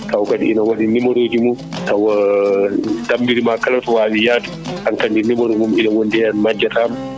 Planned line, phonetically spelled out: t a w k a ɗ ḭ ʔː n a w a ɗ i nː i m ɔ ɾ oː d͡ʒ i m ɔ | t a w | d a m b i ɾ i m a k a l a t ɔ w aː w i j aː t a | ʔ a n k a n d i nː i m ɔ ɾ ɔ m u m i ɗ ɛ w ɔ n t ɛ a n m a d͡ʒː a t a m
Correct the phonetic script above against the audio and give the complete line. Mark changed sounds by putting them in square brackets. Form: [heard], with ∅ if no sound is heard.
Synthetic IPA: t a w k a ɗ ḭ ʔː n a w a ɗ i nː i m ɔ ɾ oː d͡ʒ i m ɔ | t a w | d a m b i ɾ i m a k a l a t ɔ w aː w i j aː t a | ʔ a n k a n d i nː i m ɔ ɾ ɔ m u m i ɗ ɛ w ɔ n [d] ɛ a n m a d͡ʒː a t a m